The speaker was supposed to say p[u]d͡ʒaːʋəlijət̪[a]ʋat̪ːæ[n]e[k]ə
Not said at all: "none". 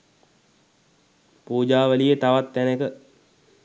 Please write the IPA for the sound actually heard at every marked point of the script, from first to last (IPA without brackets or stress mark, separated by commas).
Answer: uː, a, n, k